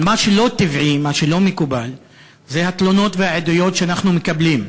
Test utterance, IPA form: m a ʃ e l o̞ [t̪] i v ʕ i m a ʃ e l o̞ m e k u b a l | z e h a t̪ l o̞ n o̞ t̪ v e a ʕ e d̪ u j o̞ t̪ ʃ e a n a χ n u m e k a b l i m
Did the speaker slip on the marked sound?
no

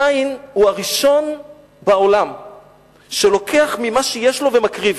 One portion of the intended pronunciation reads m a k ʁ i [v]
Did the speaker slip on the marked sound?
no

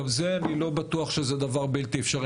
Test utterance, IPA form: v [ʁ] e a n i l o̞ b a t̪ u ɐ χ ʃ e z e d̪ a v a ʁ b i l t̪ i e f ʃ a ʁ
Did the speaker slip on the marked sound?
yes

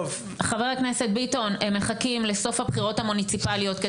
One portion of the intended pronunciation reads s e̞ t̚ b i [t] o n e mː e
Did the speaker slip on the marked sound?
no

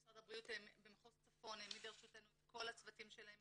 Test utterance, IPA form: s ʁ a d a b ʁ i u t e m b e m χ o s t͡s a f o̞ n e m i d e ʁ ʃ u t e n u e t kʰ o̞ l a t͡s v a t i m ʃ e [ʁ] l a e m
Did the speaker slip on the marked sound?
yes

